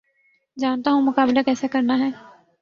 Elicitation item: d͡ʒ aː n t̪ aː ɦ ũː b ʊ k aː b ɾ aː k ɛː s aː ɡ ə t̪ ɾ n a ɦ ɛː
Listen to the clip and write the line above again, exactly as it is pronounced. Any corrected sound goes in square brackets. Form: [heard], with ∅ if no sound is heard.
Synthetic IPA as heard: d͡ʒ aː n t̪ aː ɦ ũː [m] ʊ k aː b [l] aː k ɛː s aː [k] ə [∅] ɾ n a ɦ ɛː